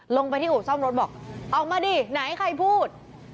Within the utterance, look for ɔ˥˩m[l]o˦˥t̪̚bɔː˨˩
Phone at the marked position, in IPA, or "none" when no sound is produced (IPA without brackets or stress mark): ɾ